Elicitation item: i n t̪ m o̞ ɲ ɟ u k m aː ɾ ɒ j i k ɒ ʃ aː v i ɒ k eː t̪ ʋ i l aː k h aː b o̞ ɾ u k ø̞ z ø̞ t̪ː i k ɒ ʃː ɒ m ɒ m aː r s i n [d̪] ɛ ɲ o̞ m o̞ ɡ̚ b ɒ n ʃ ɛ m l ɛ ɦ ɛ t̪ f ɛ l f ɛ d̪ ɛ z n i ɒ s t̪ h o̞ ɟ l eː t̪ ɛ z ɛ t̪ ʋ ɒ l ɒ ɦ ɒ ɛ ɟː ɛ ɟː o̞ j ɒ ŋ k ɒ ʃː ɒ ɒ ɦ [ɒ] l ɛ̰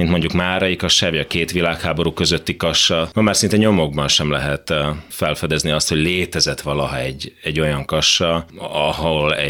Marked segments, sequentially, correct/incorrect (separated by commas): incorrect, incorrect